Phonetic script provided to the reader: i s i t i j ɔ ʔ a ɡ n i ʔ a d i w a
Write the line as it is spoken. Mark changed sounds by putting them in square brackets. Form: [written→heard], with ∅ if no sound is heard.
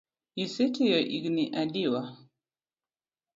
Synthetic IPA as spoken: i s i t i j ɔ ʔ [a→i] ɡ n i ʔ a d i w a